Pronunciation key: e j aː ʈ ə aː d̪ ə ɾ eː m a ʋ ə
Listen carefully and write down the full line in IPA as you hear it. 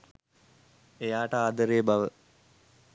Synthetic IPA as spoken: e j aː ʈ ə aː d̪ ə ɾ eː b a ʋ ə